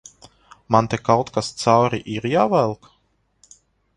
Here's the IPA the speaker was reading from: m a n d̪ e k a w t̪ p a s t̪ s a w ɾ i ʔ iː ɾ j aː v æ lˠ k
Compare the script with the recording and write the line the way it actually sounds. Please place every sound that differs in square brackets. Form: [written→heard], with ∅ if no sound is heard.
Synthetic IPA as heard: m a n [d̪→t̪] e k a w t̪ [p→k] a s t̪ s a w ɾ i ʔ [iː→i] ɾ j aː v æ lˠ k